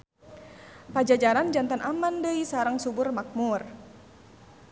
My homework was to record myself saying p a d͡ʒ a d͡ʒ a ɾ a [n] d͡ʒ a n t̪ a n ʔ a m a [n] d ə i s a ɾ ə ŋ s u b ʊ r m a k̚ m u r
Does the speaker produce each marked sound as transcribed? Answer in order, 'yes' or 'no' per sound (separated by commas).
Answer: yes, yes